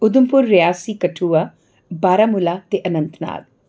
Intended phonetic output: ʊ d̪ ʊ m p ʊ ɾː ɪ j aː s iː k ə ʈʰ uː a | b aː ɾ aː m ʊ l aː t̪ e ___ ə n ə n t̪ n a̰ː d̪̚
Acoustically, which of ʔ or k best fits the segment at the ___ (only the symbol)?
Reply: ʔ